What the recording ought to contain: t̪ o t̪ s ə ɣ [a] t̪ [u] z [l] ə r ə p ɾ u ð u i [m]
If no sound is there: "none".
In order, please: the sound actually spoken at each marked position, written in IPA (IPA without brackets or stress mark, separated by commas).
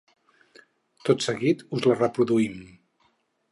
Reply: i, u, l, m